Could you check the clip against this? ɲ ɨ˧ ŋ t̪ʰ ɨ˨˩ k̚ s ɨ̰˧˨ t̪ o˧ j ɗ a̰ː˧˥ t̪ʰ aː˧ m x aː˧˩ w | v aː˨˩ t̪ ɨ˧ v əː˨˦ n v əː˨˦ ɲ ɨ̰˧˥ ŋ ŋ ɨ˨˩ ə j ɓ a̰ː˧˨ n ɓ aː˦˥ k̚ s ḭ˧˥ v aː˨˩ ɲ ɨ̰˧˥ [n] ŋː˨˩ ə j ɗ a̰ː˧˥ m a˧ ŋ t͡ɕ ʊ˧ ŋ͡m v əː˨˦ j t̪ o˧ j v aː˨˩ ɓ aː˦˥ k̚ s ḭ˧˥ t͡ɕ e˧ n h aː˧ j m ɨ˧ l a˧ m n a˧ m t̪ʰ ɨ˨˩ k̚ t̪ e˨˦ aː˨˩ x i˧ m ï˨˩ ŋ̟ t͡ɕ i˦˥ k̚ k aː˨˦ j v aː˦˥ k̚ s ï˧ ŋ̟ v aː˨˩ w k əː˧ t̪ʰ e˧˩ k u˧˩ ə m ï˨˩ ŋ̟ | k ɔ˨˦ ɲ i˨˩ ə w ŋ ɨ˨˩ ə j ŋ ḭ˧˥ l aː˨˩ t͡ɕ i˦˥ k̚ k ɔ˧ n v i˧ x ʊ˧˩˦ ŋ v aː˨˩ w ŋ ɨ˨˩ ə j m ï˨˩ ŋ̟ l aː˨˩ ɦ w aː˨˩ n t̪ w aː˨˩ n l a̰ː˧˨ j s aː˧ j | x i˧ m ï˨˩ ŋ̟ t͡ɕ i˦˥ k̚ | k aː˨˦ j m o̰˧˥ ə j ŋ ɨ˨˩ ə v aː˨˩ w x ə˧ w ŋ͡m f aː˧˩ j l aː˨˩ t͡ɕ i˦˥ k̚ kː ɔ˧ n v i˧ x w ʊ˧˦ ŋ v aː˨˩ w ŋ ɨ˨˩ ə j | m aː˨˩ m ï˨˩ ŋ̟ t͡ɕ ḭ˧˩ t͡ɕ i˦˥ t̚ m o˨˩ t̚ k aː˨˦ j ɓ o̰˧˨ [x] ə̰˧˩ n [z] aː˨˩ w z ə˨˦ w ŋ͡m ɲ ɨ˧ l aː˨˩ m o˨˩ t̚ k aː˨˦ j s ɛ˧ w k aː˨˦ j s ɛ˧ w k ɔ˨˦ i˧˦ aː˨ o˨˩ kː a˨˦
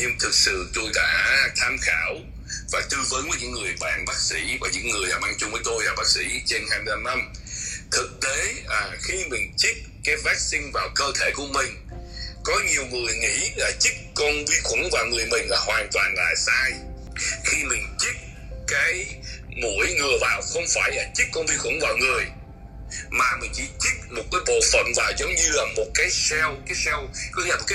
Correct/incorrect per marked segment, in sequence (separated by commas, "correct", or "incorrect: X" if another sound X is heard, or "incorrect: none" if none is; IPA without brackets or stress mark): incorrect: ŋ, incorrect: f, incorrect: v